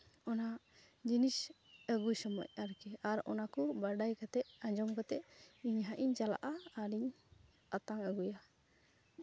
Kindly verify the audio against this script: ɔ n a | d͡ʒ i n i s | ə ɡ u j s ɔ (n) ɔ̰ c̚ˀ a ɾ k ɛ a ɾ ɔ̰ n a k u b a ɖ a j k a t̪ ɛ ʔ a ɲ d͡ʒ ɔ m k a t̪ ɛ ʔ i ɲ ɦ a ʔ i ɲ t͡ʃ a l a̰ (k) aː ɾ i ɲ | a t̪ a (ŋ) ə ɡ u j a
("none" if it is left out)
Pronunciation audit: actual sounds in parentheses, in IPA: m, ʔ, ŋ

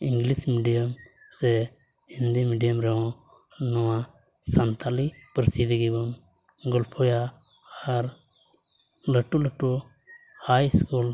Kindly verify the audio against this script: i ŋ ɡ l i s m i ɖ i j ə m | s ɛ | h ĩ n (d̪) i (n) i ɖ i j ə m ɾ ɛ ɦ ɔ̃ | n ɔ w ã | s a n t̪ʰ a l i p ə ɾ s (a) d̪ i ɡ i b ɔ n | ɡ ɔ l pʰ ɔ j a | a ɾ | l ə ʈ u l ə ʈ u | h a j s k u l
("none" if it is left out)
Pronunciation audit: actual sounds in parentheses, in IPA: d̪, m, i

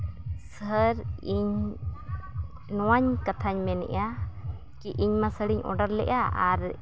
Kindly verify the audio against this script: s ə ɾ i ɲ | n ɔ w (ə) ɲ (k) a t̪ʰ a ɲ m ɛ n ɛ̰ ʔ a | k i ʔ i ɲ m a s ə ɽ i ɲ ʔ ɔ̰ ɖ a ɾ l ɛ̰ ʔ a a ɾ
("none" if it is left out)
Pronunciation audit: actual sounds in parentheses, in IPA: a, k

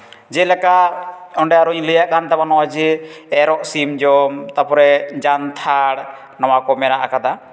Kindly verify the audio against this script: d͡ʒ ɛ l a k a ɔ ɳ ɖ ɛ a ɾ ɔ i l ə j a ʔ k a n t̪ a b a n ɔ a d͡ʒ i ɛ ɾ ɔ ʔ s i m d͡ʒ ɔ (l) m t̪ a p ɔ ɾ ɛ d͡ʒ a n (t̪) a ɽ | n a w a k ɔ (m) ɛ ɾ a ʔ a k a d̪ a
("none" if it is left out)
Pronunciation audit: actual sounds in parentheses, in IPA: none, t̪ʰ, m

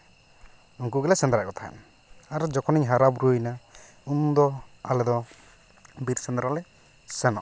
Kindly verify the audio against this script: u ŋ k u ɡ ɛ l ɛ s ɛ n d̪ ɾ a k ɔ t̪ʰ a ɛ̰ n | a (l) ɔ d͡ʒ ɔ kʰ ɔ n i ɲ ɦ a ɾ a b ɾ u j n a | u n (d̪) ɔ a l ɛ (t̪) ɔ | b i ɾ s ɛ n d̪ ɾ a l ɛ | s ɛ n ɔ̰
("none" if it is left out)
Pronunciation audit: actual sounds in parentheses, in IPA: ɾ, d̪, d̪

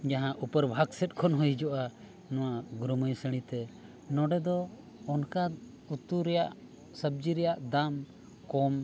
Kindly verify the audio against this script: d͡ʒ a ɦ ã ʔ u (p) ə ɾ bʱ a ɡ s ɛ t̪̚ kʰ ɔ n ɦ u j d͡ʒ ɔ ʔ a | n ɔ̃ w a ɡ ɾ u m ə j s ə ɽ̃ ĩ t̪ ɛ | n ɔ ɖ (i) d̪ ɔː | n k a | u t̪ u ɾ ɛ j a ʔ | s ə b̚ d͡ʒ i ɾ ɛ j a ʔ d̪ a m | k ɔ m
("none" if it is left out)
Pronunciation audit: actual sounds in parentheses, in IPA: p, ɛ

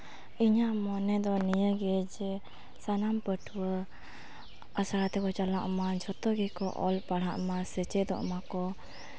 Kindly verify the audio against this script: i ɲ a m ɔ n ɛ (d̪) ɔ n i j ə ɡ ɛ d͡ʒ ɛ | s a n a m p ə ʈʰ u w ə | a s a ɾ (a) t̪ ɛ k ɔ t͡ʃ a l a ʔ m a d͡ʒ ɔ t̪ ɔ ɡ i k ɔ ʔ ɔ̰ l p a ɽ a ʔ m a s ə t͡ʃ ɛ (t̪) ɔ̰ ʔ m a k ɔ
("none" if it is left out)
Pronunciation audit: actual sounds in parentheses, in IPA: d̪, a, d̪

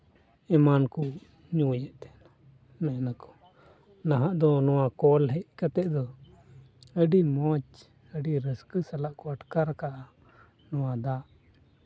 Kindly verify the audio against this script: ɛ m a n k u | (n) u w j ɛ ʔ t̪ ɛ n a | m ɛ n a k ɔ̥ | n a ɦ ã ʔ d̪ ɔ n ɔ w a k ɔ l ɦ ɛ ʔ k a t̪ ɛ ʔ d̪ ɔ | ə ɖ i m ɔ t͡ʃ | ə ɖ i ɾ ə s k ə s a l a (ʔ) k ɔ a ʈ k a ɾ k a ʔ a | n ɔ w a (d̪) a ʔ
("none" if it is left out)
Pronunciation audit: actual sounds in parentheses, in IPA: ɲ, ʔ, d̪

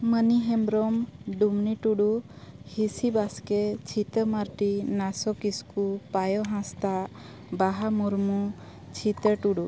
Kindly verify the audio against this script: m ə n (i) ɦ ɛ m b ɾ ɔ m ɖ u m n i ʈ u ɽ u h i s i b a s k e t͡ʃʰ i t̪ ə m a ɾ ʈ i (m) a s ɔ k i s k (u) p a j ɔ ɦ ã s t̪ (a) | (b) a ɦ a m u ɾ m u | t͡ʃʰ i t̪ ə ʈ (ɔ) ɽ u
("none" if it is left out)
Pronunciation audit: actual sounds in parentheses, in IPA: i, n, u, a, b, u

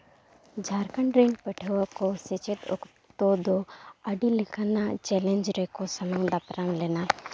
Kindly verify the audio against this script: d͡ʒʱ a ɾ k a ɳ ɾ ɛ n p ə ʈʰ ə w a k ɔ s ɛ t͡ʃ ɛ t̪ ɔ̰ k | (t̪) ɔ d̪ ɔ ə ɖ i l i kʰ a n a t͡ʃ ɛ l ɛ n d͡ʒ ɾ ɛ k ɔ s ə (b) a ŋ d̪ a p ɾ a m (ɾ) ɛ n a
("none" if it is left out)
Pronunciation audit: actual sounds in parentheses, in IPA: t̪, m, l

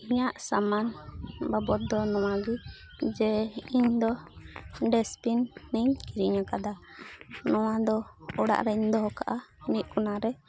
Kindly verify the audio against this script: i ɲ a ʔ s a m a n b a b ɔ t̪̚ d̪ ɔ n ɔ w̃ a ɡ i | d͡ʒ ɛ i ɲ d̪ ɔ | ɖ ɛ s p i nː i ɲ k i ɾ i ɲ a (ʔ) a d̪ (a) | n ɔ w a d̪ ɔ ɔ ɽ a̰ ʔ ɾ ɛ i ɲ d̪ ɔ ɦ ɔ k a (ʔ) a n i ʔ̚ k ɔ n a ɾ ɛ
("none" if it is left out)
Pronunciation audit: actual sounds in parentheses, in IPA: k, a, ʔ

